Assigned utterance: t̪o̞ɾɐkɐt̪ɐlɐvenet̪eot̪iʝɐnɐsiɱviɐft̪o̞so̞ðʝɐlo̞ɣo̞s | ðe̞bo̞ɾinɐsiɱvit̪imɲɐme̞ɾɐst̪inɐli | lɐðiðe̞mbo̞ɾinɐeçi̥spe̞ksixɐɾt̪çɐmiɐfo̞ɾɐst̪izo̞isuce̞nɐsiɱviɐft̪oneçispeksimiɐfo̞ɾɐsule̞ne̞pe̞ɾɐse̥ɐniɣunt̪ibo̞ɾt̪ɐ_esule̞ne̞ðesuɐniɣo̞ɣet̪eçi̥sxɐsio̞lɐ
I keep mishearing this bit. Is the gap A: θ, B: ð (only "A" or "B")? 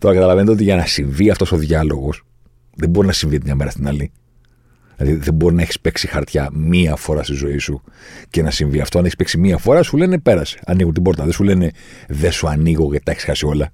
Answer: B